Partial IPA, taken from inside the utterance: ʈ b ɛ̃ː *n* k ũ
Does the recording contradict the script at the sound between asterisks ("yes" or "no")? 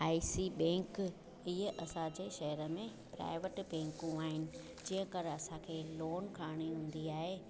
yes